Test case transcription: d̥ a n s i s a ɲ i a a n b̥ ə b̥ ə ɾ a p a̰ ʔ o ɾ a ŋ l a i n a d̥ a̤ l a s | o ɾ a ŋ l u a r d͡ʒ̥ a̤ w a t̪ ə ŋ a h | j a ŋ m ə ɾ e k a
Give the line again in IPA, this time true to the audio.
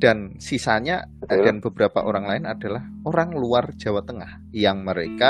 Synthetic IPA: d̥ a n s i s a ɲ a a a n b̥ ə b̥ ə ɾ a p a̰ ʔ o ɾ a ŋ l a ɪ n a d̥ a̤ l a h | o ɾ a ŋ l u a r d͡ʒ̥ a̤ w a t̪ ə ŋ a h | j a ŋ m ə ɾ e k a